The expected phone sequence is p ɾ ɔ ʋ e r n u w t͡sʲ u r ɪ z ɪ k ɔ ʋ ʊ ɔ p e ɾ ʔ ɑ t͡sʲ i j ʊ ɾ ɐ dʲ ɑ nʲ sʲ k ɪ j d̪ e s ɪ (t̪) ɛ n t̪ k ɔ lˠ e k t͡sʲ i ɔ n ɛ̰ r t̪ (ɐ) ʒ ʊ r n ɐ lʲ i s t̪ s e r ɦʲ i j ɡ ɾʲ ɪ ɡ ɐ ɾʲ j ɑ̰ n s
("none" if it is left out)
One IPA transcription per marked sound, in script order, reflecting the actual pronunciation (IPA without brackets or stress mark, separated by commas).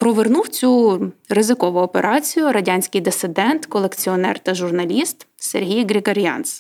d̪, ɐ